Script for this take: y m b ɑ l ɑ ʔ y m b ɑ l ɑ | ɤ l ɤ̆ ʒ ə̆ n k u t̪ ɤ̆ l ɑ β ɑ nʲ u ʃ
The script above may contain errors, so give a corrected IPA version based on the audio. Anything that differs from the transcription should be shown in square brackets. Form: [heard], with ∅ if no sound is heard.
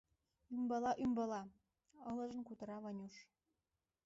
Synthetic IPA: y m b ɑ l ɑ ʔ y m b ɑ l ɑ | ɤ l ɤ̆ ʒ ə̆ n k u t̪ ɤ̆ [ɾ] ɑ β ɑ nʲ u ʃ

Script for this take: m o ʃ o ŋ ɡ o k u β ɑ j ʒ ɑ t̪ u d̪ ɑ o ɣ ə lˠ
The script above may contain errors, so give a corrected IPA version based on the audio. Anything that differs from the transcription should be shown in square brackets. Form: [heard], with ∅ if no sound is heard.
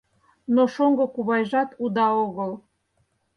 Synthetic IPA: [n] o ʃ o ŋ ɡ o k u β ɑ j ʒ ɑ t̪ u d̪ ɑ o ɣ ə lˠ

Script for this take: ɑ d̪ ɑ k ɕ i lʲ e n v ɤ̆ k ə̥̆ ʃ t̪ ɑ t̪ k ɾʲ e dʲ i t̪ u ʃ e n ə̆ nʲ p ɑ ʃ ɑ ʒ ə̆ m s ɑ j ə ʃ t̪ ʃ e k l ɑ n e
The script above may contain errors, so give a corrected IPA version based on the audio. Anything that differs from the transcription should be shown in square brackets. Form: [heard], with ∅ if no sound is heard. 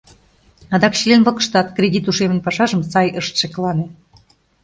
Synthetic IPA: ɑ d̪ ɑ k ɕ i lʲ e n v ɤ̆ k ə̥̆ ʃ t̪ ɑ t̪ k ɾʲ e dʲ i t̪ u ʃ e [m] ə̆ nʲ p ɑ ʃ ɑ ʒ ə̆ m s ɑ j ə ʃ t̪ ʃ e k l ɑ n e

